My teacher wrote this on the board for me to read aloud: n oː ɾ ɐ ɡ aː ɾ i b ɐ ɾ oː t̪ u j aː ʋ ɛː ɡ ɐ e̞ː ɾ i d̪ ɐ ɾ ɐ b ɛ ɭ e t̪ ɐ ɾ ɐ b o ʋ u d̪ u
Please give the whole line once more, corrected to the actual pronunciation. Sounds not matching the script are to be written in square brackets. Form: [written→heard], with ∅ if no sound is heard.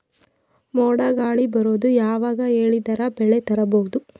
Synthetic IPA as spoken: [n→m] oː [ɾ→ɽ] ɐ ɡ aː [ɾ→ɭ] i b ɐ ɾ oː [t̪→d̪] u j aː ʋ [ɛː→aː] ɡ ɐ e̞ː [ɾ→ɭ] i d̪ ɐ ɾ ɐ b ɛ ɭ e t̪ ɐ ɾ ɐ b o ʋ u d̪ u